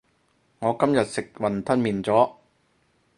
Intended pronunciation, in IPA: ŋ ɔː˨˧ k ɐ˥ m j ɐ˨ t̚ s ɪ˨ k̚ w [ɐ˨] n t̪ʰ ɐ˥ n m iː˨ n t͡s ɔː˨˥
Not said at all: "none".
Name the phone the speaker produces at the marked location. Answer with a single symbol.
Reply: ɐ˨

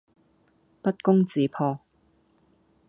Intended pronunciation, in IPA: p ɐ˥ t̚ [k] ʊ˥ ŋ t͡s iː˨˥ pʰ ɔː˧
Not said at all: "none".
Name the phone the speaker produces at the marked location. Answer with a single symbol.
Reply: k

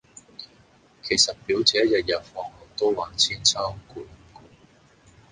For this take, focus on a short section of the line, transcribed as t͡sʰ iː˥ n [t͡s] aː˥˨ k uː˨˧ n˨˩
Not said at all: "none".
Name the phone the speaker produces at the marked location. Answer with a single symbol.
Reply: t͡sʰ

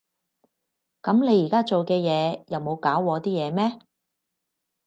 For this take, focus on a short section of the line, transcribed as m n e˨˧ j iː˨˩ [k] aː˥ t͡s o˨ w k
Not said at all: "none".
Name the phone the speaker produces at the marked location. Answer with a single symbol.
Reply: k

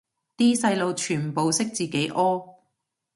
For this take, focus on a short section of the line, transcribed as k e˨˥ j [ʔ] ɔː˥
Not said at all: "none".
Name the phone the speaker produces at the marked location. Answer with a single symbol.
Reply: ʔ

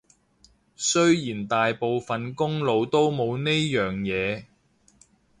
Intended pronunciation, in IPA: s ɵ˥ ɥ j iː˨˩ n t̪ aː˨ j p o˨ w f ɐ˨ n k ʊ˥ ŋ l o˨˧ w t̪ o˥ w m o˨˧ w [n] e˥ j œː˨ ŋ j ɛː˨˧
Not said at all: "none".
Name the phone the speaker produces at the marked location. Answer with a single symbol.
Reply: n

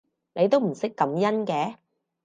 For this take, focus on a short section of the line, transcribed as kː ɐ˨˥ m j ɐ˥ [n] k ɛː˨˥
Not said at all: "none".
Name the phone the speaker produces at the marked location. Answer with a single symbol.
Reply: n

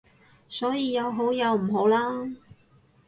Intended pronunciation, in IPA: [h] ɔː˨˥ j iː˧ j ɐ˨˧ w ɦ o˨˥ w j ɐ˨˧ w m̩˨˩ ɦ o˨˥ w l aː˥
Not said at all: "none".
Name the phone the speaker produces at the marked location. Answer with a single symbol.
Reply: s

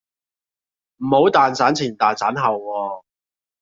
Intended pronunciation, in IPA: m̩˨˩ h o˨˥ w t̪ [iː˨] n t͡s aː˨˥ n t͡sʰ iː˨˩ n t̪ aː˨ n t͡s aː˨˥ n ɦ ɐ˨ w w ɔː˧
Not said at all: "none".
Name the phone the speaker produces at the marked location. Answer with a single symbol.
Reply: aː˨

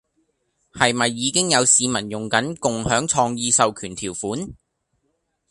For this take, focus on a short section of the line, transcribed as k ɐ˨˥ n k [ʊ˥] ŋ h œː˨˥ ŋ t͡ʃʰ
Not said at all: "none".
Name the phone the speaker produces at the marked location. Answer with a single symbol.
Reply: ʊ˨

